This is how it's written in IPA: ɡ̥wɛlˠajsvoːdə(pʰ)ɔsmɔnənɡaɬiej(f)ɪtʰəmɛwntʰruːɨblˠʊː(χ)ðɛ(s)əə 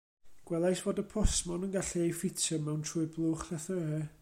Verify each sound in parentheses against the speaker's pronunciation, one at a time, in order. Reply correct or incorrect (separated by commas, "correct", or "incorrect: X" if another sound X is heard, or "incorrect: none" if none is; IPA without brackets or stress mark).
correct, correct, correct, incorrect: θ